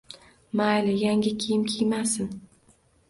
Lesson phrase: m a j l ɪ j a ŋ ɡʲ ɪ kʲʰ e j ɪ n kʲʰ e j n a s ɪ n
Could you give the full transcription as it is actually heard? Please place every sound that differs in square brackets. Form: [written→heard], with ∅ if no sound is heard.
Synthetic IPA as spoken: m a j l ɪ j a ŋ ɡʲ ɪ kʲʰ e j ɪ [n→m] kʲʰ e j [n→m] a s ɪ n